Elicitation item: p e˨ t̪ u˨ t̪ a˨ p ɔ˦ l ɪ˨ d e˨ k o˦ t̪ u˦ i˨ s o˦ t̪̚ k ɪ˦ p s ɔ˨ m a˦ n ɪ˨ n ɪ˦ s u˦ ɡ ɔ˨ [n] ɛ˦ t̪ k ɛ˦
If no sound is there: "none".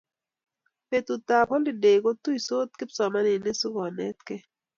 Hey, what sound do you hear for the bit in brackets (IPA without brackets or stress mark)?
n